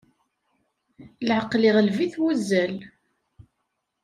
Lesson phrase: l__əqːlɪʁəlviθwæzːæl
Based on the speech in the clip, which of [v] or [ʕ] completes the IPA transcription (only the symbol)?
ʕ